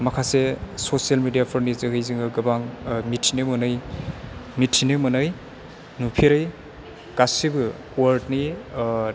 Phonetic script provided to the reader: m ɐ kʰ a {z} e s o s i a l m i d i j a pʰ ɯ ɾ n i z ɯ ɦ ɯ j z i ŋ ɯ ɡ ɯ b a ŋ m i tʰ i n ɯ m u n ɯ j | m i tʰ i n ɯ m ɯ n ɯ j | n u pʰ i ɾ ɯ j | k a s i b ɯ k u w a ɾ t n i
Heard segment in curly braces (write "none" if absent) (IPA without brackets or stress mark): s